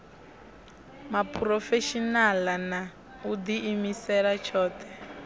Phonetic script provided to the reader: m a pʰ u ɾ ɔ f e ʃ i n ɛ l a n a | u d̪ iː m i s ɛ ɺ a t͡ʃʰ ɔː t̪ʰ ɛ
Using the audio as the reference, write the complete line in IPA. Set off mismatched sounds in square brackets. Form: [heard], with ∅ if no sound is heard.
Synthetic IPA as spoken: m a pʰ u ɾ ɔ f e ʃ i n [a] l a n a | u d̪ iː m i s ɛ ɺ a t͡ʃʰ ɔː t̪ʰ ɛ